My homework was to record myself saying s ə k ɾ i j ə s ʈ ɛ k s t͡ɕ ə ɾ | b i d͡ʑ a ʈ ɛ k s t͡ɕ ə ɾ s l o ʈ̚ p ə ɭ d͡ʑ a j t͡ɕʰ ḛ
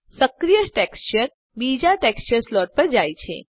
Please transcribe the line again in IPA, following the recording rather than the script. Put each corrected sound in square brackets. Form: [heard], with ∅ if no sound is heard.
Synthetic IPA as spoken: s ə k ɾ i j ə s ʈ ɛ k s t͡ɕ ə ɾ | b i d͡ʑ a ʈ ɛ k s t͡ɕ ə ɾ s l [ɔ] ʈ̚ p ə [ɾ] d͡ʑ a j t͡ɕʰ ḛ